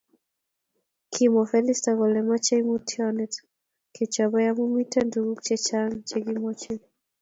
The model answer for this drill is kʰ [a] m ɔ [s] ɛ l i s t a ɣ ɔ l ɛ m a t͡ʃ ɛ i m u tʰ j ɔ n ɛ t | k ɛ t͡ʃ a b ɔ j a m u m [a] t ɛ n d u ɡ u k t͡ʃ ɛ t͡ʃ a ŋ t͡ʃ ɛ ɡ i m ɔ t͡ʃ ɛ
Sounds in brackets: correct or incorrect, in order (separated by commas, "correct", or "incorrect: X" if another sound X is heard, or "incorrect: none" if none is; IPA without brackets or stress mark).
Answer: incorrect: i, incorrect: f, incorrect: i